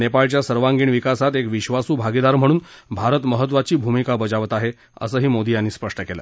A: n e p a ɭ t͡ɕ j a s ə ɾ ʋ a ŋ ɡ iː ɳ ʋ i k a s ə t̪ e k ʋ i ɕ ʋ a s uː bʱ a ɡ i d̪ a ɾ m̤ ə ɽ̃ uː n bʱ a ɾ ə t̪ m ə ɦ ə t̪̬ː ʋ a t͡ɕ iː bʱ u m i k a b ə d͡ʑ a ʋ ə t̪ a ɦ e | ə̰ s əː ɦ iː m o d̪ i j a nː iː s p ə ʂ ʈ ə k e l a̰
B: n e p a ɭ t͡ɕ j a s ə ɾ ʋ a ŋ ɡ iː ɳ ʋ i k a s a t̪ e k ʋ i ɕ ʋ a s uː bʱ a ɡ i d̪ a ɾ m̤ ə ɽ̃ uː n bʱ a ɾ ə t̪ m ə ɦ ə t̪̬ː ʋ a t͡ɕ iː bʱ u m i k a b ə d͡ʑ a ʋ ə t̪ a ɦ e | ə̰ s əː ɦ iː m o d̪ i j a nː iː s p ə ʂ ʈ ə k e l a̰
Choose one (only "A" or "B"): B